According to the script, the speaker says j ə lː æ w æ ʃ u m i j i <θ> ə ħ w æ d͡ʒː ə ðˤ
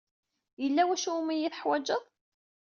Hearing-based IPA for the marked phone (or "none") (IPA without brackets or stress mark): θ